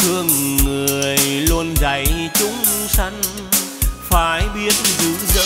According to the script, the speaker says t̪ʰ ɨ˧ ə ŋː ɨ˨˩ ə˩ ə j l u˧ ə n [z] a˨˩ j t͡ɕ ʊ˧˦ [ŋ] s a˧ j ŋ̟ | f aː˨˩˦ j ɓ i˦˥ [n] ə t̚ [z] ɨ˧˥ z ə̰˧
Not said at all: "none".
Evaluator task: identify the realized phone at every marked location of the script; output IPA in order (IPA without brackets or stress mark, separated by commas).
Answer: z, ŋ͡m, none, z